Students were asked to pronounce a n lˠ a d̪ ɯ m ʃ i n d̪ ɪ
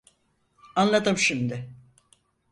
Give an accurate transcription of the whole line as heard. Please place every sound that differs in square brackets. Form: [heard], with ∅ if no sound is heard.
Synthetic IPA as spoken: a n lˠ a d̪ ɯ m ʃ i [m] d̪ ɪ